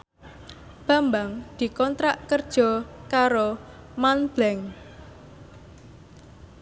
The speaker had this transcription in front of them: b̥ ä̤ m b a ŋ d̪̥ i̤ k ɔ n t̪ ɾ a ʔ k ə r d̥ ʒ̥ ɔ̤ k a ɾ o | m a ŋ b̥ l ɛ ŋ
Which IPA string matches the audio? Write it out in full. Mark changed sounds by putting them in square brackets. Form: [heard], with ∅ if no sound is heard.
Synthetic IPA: b̥ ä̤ m b a ŋ d̪̥ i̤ k ɔ n t̪ ɾ a ʔ k ə r d̥ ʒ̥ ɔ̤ k a ɾ o | m a [n] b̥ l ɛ ŋ

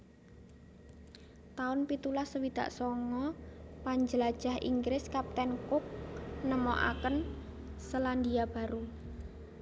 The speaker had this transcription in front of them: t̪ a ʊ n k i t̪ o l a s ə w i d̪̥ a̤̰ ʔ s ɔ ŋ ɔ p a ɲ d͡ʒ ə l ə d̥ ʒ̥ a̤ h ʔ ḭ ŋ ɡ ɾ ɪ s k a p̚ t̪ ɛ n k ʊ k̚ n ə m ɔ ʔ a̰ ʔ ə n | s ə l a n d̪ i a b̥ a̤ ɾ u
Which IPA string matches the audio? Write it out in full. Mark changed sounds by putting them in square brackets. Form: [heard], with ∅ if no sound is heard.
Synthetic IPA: t̪ a ʊ n [p] i t̪ [u] l a s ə w i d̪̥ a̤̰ ʔ s ɔ ŋ ɔ p a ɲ d͡ʒ ə l [a] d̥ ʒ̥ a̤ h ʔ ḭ ŋ ɡ ɾ ɪ s k a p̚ t̪ ɛ n k ʊ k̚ n ə m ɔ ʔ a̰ [k] ə n | s ə l a n d̪ i a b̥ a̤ ɾ u

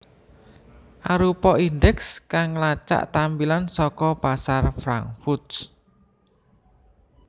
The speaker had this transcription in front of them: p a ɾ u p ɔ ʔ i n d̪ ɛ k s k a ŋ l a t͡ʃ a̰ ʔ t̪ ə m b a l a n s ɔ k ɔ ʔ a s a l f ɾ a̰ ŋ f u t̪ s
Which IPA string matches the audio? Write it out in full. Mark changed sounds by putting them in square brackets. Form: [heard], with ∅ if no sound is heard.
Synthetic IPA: [ʔ] a ɾ u p ɔ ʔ i n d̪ ɛ k s k a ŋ l a t͡ʃ a̰ ʔ t̪ [a] m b [i] l a n s ɔ k ɔ [p] a s a [r] f ɾ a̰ ŋ f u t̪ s

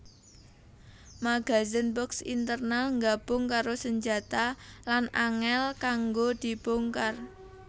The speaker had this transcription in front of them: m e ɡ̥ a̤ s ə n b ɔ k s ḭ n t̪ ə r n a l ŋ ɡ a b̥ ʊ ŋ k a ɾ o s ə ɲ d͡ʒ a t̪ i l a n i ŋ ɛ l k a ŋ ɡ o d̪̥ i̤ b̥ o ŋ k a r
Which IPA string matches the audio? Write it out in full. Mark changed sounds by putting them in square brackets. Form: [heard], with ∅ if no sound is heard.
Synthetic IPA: m [a] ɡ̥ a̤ [z] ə n b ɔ k s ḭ n t̪ ə r n a l ŋ ɡ a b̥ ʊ ŋ k a ɾ o s ə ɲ d͡ʒ a t̪ [a] l a n [a] ŋ ɛ l k a ŋ ɡ o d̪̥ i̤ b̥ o ŋ k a r

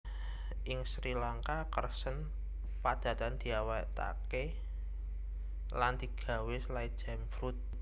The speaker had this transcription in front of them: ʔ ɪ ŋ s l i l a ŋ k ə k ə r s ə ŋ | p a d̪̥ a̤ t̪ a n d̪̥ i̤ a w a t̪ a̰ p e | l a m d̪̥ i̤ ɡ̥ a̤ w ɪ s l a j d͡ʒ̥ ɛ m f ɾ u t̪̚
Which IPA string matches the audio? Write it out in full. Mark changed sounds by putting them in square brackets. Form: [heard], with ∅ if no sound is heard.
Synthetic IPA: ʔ ɪ ŋ s [ɾ] i l a ŋ k [a] k ə r s ə [n] | p a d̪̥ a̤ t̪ a n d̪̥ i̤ a w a t̪ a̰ [k] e | l a [n] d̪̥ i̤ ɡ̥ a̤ w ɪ s l a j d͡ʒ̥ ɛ m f ɾ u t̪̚

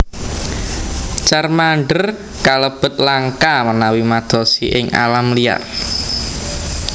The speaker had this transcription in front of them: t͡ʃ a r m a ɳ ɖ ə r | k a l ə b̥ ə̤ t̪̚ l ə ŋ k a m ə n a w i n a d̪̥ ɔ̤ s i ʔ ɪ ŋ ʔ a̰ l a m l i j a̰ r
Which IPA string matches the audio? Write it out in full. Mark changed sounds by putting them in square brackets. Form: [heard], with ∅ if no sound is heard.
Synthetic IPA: t͡ʃ a r m a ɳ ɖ ə r | k a l ə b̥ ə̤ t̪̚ l [a] ŋ k a m ə n a w i [m] a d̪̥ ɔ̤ s i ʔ ɪ ŋ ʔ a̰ l a m l i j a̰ r

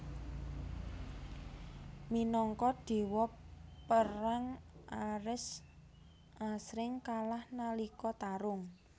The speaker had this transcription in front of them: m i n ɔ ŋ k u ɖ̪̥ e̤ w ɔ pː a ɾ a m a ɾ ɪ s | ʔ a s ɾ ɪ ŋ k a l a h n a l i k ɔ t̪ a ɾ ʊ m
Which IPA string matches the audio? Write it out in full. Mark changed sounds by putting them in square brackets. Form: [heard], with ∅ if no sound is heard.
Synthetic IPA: m i n ɔ ŋ k [ɔ] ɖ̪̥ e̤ w ɔ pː [ə] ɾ a [ŋ] a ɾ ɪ s | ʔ a s ɾ ɪ ŋ k a l a h n a l i k ɔ t̪ a ɾ ʊ [ŋ]

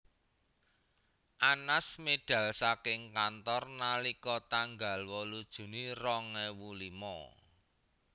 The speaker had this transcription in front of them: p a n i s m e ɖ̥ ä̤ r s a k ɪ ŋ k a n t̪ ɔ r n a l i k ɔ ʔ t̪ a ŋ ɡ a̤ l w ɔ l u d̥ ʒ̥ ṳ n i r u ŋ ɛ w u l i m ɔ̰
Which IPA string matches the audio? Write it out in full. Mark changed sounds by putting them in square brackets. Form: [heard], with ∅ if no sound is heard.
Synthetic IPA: [ʔ] a n [a] s m e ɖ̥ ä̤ [l] s a k ɪ ŋ k a n t̪ ɔ r n a l i k ɔ [∅] t̪ a ŋ ɡ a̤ l w ɔ l u d̥ ʒ̥ ṳ n i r [ɔ] ŋ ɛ w u l i m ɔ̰

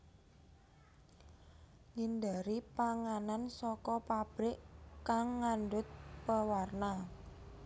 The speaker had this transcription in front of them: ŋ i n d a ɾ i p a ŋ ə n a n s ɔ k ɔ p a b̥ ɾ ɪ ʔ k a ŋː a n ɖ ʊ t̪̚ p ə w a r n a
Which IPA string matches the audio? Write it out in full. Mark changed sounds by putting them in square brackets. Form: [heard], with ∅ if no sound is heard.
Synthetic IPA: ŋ i n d a ɾ i p a ŋ [a] n a n s ɔ k ɔ p a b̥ ɾ ɪ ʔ k a ŋː a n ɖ ʊ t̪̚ p ə w a r n a

